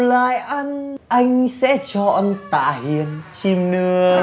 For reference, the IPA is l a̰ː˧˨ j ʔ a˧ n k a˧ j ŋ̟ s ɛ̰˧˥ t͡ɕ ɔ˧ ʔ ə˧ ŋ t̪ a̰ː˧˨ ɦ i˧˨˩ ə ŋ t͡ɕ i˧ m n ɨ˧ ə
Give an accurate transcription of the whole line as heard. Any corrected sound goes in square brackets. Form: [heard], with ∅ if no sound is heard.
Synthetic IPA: l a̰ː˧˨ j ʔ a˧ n [ʔ] a˧ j ŋ̟ s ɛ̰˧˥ t͡ɕ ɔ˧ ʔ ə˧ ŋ t̪ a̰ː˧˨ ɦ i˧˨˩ ə [n] t͡ɕ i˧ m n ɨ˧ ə